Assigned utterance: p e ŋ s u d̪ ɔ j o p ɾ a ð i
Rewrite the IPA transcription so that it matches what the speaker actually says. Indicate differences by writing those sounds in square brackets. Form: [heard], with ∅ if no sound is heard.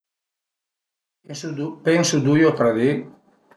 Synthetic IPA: p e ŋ s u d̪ [u] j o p ɾ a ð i